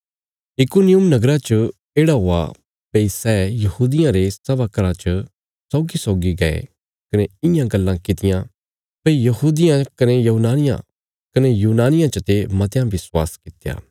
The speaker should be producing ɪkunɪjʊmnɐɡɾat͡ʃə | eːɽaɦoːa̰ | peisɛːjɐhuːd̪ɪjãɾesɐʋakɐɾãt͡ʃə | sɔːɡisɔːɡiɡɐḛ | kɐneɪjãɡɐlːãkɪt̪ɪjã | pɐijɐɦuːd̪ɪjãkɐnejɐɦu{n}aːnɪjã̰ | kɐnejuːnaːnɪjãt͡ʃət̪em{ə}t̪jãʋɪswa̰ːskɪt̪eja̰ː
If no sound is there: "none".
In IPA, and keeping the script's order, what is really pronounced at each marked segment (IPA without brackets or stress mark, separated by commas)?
n, ɐ